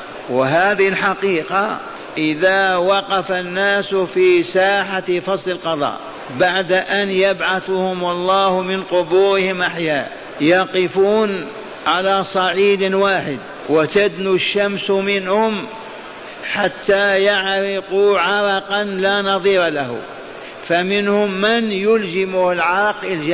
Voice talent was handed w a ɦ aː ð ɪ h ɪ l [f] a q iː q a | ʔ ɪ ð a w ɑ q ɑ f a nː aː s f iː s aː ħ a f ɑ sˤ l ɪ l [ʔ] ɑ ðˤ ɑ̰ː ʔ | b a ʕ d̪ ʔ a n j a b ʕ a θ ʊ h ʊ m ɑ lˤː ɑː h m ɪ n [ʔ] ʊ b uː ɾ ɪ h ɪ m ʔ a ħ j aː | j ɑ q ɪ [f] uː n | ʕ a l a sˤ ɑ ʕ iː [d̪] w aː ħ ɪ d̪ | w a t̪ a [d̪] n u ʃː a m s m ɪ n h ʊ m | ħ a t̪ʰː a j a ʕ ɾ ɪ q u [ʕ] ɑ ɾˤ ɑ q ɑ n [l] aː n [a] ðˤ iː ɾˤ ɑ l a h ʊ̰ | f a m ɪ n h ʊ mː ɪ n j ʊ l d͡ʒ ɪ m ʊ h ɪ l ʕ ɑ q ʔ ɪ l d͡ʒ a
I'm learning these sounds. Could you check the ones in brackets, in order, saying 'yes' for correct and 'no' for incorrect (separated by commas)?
no, no, no, yes, yes, yes, yes, yes, no